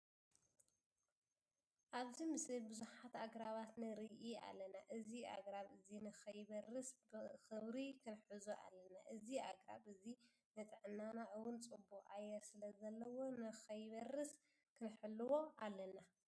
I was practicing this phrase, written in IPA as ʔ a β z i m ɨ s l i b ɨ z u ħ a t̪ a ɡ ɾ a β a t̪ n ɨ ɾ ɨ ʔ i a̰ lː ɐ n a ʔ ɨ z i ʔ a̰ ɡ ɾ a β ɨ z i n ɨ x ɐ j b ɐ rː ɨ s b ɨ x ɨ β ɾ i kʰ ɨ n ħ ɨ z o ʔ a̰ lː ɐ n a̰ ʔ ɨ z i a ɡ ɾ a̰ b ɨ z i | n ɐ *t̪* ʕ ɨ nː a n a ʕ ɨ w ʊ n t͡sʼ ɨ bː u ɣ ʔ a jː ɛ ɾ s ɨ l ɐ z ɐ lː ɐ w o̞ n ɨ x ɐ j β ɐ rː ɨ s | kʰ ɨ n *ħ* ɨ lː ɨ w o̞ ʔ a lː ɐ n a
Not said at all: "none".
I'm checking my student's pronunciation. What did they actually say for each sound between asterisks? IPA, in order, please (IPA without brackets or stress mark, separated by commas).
t̪ʼ, ħ